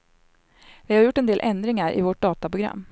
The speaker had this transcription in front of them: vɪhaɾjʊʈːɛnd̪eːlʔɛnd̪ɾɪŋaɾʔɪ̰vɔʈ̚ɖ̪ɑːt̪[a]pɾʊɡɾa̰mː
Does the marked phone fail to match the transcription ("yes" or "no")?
no